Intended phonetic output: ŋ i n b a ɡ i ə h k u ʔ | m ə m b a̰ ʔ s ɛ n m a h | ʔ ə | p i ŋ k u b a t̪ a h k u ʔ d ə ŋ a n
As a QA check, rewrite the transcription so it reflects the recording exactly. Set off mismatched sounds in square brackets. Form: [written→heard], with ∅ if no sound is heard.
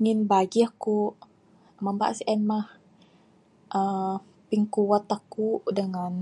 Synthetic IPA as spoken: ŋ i n b a ɡ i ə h k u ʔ | m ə m b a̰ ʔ s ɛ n m a h | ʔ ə | p i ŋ k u [b→w] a t̪ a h k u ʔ d ə ŋ a n